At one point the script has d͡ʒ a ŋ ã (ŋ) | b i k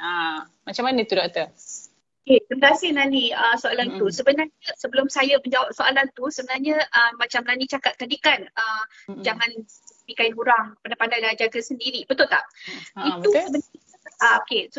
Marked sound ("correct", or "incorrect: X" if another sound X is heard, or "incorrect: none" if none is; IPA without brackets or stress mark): incorrect: n